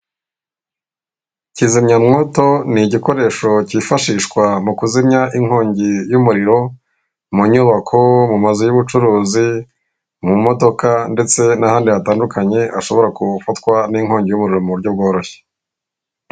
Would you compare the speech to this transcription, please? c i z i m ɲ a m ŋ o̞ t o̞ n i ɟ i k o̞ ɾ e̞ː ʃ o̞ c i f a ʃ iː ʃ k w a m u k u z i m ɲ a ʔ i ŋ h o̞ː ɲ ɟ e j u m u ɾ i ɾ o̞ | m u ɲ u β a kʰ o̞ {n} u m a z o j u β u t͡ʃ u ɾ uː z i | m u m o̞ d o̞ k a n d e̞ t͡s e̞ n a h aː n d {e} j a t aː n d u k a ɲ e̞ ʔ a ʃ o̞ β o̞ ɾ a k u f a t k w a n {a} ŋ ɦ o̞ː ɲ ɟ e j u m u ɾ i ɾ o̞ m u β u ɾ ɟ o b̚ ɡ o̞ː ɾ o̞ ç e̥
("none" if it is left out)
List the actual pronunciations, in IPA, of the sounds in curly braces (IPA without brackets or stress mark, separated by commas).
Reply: m, i, i